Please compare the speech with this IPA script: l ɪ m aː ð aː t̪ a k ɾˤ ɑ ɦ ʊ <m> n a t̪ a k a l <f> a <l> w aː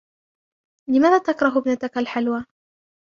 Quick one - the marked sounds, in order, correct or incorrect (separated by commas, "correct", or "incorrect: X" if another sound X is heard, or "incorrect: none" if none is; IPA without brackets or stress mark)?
incorrect: b, incorrect: ħ, correct